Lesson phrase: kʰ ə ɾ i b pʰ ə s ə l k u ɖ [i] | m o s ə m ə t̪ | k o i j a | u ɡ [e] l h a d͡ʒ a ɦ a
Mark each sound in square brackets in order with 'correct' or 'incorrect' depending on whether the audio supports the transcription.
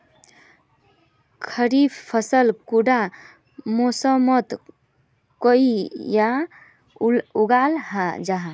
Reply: incorrect, incorrect

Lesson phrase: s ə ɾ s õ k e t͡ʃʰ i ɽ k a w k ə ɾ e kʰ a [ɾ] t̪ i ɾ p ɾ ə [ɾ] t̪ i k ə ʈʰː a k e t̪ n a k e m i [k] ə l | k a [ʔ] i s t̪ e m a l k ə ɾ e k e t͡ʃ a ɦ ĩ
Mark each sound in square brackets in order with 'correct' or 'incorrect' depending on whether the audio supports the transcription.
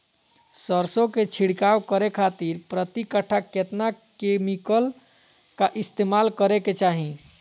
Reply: incorrect, incorrect, correct, correct

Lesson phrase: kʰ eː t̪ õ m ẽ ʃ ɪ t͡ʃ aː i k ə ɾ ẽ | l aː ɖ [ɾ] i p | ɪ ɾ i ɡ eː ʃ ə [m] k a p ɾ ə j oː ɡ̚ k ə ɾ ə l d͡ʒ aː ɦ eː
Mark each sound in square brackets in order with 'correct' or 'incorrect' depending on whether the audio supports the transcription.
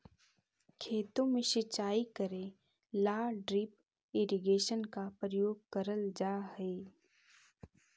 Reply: correct, incorrect

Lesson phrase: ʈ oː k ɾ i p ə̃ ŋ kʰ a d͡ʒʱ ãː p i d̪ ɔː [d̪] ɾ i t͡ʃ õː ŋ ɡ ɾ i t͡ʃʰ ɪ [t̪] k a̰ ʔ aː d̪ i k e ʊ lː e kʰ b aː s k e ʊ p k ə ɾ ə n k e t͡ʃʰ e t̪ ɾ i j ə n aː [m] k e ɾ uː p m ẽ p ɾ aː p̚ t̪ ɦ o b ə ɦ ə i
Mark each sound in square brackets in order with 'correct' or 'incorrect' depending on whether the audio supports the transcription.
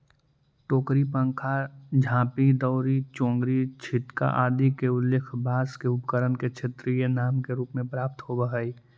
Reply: incorrect, correct, correct

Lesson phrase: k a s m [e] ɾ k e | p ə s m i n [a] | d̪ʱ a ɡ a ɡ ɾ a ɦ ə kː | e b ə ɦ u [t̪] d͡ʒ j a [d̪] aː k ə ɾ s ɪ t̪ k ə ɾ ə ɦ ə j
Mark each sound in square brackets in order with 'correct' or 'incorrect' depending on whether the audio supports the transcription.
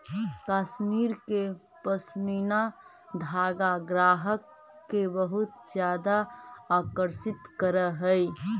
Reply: incorrect, correct, correct, correct

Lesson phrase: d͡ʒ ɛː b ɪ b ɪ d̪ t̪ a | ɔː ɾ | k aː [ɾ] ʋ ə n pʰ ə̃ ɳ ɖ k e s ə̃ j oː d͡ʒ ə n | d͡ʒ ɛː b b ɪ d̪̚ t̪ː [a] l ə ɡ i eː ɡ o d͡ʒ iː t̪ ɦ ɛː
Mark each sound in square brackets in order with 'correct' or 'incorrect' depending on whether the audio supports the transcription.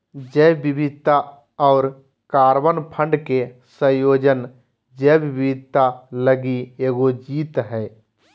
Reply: correct, correct

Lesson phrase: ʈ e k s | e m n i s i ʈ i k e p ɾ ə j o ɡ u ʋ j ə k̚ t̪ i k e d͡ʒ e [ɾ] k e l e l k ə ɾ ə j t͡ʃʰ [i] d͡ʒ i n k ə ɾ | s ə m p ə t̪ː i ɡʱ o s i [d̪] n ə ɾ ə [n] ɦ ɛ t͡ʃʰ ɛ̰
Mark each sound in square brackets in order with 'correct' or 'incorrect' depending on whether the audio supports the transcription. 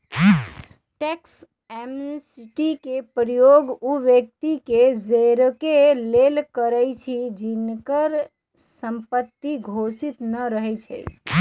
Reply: correct, correct, incorrect, incorrect

